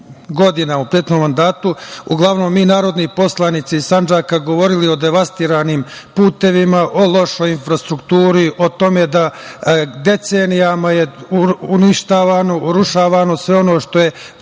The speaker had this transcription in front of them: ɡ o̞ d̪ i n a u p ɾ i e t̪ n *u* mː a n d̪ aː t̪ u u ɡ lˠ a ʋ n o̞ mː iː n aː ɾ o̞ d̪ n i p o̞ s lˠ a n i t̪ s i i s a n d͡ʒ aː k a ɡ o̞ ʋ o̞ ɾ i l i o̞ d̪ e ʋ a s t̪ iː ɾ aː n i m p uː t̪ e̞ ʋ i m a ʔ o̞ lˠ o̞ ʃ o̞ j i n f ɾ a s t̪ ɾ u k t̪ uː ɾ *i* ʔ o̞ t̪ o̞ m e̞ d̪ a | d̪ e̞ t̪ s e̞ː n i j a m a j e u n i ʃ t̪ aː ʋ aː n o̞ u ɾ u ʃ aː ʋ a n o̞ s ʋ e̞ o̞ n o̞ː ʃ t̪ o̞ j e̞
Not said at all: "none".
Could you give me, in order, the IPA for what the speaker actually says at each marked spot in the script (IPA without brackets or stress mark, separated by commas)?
o, i